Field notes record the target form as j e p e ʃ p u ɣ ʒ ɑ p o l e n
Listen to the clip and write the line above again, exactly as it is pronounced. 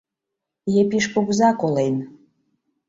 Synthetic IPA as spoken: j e p i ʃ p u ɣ z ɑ k o l e n